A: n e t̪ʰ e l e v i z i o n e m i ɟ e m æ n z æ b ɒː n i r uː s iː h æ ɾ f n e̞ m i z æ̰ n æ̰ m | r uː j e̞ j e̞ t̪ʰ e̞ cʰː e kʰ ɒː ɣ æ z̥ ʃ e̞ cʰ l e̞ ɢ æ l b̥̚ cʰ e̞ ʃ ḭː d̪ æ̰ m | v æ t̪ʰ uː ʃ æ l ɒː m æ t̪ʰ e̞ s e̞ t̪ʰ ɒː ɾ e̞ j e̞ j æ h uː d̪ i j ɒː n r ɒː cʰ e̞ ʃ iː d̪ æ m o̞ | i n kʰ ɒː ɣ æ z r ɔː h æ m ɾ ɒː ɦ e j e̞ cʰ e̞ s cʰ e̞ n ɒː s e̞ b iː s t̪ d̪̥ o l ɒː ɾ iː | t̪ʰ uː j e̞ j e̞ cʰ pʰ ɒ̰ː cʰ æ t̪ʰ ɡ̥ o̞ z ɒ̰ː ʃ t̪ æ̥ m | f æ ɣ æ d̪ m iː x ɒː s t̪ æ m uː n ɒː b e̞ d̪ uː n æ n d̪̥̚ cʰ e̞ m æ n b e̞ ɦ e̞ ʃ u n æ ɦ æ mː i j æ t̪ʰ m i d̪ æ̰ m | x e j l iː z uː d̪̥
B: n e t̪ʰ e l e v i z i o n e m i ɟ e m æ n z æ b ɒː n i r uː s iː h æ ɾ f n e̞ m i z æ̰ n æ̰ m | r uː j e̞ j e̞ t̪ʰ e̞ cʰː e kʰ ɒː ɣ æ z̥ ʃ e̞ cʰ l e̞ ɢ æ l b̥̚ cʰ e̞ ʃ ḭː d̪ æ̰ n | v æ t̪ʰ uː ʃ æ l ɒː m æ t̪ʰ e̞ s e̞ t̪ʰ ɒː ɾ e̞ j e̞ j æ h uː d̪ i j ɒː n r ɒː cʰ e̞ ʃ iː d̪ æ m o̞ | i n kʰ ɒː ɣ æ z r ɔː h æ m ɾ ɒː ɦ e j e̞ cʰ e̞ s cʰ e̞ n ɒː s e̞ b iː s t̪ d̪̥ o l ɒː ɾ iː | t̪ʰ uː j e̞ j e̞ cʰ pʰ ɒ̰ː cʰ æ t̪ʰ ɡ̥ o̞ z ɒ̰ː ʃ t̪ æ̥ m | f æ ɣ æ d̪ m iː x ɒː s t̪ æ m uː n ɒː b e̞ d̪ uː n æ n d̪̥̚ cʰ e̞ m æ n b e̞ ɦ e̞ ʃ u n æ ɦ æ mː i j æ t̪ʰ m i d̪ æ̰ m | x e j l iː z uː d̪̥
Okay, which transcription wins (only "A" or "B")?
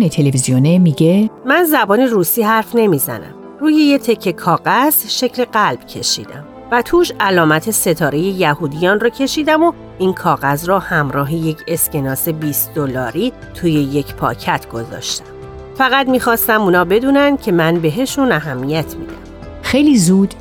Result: A